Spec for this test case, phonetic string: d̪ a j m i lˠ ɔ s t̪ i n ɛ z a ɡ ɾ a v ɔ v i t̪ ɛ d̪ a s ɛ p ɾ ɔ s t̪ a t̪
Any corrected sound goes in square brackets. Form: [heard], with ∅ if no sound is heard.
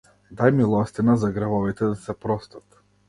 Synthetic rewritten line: d̪ a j m i lˠ ɔ s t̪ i n [a] z a ɡ ɾ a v ɔ v i t̪ ɛ d̪ a s ɛ p ɾ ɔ s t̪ a t̪